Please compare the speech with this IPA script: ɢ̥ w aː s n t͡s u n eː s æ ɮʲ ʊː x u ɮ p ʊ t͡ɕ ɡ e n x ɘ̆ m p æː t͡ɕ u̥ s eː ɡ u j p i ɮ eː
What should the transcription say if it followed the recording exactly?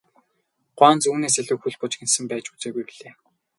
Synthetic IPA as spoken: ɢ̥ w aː n t͡s uː n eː s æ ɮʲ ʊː x u ɮ p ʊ t͡ɕ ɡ e n s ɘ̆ m p æː t͡ɕ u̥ t͡s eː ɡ u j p i ɮ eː